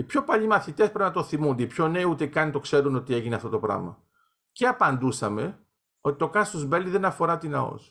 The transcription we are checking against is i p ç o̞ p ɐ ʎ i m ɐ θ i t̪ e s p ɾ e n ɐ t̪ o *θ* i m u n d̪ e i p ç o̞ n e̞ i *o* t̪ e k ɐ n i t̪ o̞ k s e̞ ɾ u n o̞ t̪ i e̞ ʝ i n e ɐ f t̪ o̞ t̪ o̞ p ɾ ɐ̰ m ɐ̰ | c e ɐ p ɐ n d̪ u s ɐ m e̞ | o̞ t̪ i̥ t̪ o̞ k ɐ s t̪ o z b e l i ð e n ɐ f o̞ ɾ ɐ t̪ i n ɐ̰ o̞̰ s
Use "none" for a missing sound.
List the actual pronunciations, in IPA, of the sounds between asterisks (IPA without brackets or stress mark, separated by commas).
θ, u